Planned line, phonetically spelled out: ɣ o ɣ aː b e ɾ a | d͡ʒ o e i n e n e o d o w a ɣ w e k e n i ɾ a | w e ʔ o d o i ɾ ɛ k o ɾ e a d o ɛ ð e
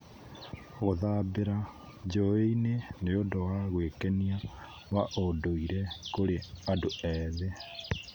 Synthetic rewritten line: ɣ o ð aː b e ɾ a | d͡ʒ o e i n e n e o d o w a ɣ w e k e n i a | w a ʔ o d o i ɾ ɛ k o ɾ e a d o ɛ ð e